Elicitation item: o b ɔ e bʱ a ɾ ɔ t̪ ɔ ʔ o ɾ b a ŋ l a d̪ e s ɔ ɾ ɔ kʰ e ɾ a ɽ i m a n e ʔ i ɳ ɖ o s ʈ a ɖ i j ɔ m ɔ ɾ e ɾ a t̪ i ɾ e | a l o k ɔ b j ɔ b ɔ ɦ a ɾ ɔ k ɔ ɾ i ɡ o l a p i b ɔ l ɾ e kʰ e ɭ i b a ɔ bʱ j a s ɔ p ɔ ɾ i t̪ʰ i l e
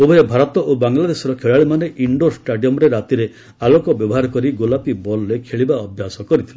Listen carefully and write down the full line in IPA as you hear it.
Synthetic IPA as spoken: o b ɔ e bʱ a ɾ ɔ t̪ ɔ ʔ o b a ŋ l a d̪ e s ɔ ɾ ɔ kʰ e ɭ a ɭ i m a n e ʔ i ɳ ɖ o s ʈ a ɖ i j ɔ m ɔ ɾ e ɾ a t̪ i ɾ e | a l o k ɔ b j ɔ b ɔ ɦ a ɾ ɔ k ɔ ɾ i ɡ o l a p i b ɔ l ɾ e kʰ e ɭ i b a ɔ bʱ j a s ɔ k ɔ ɾ i t̪ʰ i l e

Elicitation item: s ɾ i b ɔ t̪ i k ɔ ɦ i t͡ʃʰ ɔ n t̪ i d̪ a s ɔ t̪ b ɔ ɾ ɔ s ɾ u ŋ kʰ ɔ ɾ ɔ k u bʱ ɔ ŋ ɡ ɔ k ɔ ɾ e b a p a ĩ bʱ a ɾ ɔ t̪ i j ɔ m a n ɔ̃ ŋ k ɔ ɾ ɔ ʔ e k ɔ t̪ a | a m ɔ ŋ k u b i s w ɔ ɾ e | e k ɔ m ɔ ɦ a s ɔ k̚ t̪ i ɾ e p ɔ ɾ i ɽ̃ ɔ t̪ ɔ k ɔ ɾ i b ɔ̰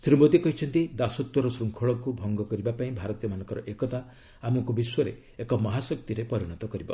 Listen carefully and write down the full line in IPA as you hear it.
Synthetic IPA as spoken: s ɾ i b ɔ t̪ i k ɔ ɦ i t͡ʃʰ ɔ n t̪ i d̪ a s ɔ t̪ w ɔ ɾ ɔ s ɾ u ŋ kʰ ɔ ɭ ɔ k u bʱ ɔ ŋ ɡ ɔ k ɔ ɾ i b a p a ĩ bʱ a ɾ ɔ t̪ i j ɔ m a n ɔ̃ ŋ k ɔ ɾ ɔ ʔ e k ɔ t̪ a | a m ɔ ŋ k u b i s w ɔ ɾ e | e k ɔ m ɔ ɦ a s ɔ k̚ t̪ i ɾ e p ɔ ɾ i ɽ̃ ɔ t̪ ɔ k ɔ ɾ i b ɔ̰

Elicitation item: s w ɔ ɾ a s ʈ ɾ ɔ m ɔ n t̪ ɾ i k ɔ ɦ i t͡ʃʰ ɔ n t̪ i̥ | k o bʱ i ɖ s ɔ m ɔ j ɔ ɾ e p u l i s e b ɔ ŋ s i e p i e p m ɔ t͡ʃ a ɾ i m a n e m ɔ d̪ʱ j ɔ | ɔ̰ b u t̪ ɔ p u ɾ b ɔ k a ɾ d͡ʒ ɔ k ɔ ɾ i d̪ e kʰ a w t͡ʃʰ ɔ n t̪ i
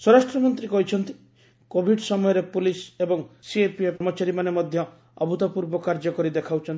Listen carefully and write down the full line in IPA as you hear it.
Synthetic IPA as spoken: s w ɔ ɾ a s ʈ ɾ ɔ m ɔ n t̪ ɾ i k ɔ ɦ i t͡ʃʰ ɔ n t̪ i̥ | k o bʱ i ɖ s ɔ m ɔ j ɔ ɾ e p u l i s e b ɔ ŋ s i e p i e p m ɔ t͡ʃ a ɾ i m a n e m ɔ d̪ʱ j ɔ | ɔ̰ b u t̪ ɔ p u ɾ b ɔ k a ɾ d͡ʒ ɔ k ɔ ɾ i d̪ e kʰ a w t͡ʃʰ ɔ n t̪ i

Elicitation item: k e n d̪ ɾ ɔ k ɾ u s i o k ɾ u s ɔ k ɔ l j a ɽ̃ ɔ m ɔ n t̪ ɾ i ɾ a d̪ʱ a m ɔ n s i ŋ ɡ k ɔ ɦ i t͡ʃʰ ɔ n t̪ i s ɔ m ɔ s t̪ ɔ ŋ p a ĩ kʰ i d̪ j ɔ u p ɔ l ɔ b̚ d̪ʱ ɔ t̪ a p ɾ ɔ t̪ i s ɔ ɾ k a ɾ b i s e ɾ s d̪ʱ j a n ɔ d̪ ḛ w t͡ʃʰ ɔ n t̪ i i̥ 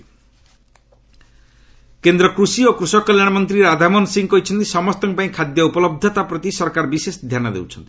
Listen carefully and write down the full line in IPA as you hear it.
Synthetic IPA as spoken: k e n d̪ ɾ ɔ k ɾ u s i o k ɾ u s ɔ k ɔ l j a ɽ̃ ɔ m ɔ n t̪ ɾ i ɾ a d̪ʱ a m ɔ n s i ŋ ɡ k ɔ ɦ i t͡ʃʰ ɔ n t̪ i s ɔ m ɔ s t̪ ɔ ŋ p a ĩ kʰ a d̪ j ɔ u p ɔ l ɔ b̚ d̪ʱ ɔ t̪ a p ɾ ɔ t̪ i s ɔ ɾ k a ɾ b i s e s d̪ʱ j a n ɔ d̪ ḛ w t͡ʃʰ ɔ n t̪ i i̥

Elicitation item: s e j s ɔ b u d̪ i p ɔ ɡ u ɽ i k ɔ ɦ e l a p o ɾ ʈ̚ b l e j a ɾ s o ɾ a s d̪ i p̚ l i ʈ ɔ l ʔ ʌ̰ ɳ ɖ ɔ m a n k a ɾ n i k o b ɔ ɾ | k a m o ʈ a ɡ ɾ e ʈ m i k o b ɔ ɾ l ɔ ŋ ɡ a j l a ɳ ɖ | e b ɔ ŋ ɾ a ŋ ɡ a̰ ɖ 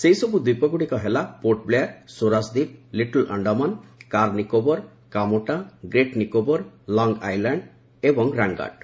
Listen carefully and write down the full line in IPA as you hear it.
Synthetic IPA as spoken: s e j s ɔ b u d̪ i p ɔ ɡ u ɽ i k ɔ ɦ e l a p o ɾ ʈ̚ b l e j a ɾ s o ɾ a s d̪ i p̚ l i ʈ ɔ l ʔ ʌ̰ ɳ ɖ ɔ m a n k a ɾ n i k o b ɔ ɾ | k a m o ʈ a ɡ ɾ e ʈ n i k o b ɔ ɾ l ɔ ŋ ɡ a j l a ɳ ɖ | e b ɔ ŋ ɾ a ŋ ɡ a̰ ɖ

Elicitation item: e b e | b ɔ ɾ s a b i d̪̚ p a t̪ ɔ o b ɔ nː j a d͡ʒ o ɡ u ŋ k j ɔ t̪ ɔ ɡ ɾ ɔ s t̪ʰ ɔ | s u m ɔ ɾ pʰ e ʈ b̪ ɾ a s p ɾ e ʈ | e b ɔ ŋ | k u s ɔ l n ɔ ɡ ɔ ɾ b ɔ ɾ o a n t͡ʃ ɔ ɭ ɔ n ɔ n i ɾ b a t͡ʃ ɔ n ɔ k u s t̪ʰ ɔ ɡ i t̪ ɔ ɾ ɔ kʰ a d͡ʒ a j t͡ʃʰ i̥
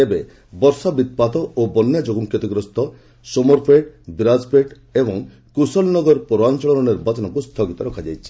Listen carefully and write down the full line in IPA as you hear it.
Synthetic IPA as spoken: e b e | b ɔ ɾ s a b i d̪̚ p a t̪ ɔ o b ɔ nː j a d͡ʒ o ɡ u ŋ k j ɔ t̪ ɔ ɡ ɾ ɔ s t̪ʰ ɔ | s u m ɔ ɾ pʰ e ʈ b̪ ɾ a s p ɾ e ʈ | e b ɔ ŋ | k u s ɔ l n ɔ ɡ ɔ ɾ p ɔ ɾ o a n t͡ʃ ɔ ɭ ɔ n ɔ n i ɾ b a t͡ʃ ɔ n ɔ k u s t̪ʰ ɔ ɡ i t̪ ɔ ɾ ɔ kʰ a d͡ʒ a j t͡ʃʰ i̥

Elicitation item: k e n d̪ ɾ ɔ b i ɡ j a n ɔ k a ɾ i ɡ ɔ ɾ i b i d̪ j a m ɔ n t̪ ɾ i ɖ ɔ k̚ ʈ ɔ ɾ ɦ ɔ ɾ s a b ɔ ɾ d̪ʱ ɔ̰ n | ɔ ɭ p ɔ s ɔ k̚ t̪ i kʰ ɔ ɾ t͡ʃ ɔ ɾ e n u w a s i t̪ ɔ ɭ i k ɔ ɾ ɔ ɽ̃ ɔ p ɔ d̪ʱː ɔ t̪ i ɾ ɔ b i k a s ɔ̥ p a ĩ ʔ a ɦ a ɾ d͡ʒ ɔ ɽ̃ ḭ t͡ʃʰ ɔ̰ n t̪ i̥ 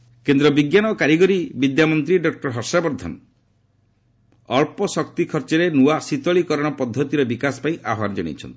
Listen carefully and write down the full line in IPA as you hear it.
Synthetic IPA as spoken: k e n d̪ ɾ ɔ b i ɡ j a n ɔ k a ɾ i ɡ ɔ ɾ i b i d̪ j a m ɔ n t̪ ɾ i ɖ ɔ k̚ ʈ ɔ ɾ ɦ ɔ ɾ s a b ɔ ɾ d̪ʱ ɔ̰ n | ɔ ɭ p ɔ s ɔ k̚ t̪ i kʰ ɔ ɾ t͡ʃ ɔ ɾ e n u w a s i t̪ ɔ ɭ i k ɔ ɾ ɔ ɽ̃ ɔ p ɔ d̪ʱː ɔ t̪ i ɾ ɔ b i k a s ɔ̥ p a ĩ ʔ a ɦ a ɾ d͡ʒ ɔ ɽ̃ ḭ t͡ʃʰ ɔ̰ n t̪ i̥

